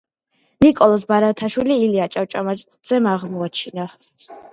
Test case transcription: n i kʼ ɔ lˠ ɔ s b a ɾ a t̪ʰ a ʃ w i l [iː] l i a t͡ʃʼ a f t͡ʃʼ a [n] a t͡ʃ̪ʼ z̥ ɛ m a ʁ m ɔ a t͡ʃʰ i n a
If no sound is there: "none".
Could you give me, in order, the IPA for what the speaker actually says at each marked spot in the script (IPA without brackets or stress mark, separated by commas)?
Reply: iː, m